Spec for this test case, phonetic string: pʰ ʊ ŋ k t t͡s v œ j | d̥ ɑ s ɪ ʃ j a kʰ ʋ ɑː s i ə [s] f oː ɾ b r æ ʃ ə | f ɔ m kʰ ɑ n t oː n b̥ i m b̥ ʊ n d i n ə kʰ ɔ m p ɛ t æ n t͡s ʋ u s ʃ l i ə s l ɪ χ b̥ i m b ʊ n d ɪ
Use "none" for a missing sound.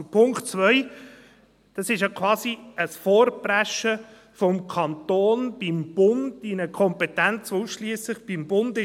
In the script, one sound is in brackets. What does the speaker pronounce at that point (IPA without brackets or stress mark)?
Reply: s